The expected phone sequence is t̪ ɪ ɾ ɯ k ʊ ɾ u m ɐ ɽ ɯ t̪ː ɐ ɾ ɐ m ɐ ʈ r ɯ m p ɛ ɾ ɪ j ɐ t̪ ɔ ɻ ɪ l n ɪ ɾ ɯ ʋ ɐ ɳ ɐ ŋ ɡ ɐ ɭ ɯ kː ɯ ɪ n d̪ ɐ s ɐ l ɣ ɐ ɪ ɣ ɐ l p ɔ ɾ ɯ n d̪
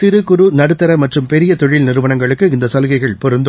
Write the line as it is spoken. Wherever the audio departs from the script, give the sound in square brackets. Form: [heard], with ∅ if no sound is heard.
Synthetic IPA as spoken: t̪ ɪ ɾ ɯ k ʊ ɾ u [n] ɐ ɽ ɯ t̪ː ɐ ɾ ɐ m ɐ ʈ r ɯ m p ɛ ɾ ɪ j ɐ t̪ ɔ ɻ ɪ l n ɪ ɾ ɯ ʋ ɐ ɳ ɐ ŋ ɡ ɐ ɭ ɯ kː ɯ ɪ n d̪ ɐ s ɐ l ɣ ɐ ɪ ɣ ɐ [ɭ] p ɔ ɾ ɯ n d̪

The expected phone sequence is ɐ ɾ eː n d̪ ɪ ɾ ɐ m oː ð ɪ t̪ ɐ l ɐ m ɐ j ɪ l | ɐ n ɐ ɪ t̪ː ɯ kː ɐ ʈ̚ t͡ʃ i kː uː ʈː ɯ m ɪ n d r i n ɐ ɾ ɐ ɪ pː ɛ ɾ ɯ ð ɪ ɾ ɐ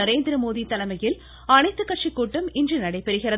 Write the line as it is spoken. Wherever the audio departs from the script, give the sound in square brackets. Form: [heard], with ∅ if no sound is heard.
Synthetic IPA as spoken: ɐ ɾ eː n d̪ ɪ ɾ ɐ m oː ð [i] t̪ ɐ l ɐ m ɐ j ɪ l | ɐ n ɐ ɪ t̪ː ɯ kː ɐ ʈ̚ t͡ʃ i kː uː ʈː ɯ m ɪ n d r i n ɐ [ɽ] ɐ ɪ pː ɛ ɾ ɯ [ɣ] ɪ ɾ ɐ

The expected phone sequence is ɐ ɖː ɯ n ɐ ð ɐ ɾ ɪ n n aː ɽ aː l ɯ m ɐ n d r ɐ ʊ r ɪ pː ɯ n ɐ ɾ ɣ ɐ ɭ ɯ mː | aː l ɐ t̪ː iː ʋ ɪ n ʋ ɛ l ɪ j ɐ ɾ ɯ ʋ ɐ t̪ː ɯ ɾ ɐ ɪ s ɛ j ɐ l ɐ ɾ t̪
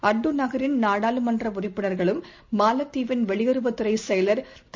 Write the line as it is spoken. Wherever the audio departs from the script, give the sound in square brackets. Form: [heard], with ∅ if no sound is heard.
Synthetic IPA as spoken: ɐ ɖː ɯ n ɐ [ɣ] ɐ ɾ ɪ n n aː ɽ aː l ɯ m ɐ n d r ɐ ʊ r ɪ pː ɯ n ɐ ɾ ɣ ɐ ɭ ɯ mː | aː l ɐ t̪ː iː ʋ ɪ n ʋ ɛ [ɭ] ɪ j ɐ ɾ ɯ ʋ ɐ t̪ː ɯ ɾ ɐ ɪ s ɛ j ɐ l ɐ ɾ t̪

